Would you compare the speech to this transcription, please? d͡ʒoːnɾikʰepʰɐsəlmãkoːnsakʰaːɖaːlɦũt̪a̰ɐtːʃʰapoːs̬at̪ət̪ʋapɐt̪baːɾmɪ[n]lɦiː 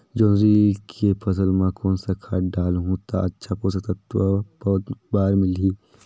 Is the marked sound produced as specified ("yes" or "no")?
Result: no